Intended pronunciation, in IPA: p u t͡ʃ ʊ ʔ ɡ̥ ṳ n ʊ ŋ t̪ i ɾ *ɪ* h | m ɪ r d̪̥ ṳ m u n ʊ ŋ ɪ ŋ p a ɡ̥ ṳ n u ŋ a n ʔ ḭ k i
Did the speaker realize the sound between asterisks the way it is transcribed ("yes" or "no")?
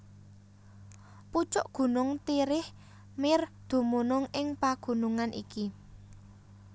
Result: yes